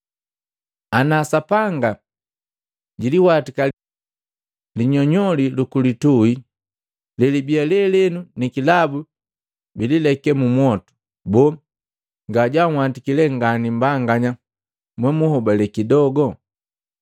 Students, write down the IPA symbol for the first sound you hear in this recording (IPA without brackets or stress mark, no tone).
a